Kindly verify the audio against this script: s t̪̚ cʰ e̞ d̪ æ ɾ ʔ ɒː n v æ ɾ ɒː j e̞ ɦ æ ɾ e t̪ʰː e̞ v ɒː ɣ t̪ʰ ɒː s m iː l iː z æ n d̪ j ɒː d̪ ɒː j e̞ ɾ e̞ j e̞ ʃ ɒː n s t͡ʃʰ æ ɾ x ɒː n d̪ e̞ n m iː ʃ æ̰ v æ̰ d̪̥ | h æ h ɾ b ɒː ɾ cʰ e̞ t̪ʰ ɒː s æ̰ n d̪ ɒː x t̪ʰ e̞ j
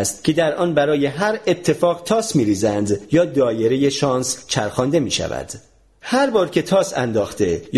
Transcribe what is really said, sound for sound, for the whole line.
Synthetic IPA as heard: s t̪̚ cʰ e̞ d̪ æ ɾ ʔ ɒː n b æ ɾ ɒː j e̞ ɦ æ ɾ e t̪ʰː e̞ f ɒː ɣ t̪ʰ ɒː s m iː ɾ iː z æ n d̪ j ɒː d̪ ɒː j e̞ ɾ e̞ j e̞ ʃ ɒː n s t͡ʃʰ æ ɾ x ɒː n d̪ e̞ m iː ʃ æ̰ v æ̰ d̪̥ | h æ ɾ b ɒː ɾ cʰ e̞ t̪ʰ ɒː s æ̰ n d̪ ɒː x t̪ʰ e̞ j